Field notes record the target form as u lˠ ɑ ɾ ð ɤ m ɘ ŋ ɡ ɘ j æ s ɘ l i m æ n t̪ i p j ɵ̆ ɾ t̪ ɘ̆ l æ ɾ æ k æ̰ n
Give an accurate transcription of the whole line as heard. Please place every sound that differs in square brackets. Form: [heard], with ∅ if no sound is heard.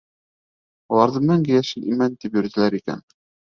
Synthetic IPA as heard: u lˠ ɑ ɾ ð ɤ m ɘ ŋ ɡ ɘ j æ [ʃ] ɘ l i m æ n t̪ i p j ɵ̆ ɾ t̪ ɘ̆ l æ ɾ [i] k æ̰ n